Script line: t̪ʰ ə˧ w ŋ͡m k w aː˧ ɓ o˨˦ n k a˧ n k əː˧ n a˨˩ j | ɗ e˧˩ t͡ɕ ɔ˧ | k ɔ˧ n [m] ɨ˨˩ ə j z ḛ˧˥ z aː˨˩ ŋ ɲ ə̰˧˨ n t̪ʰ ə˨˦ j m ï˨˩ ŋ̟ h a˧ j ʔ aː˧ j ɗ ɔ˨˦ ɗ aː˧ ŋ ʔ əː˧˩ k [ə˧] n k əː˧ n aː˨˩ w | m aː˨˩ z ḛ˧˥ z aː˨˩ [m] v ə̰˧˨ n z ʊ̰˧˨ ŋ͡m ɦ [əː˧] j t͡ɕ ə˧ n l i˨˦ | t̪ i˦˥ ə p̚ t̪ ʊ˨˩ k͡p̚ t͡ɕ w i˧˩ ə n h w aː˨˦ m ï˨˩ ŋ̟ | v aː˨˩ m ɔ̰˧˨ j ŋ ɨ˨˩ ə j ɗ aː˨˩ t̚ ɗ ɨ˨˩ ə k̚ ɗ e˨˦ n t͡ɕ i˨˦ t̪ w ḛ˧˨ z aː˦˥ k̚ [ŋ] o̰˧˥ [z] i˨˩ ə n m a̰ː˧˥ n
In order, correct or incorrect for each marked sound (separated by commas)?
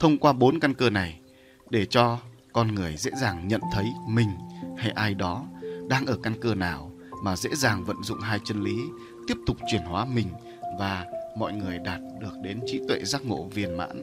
incorrect, incorrect, incorrect, incorrect, correct, incorrect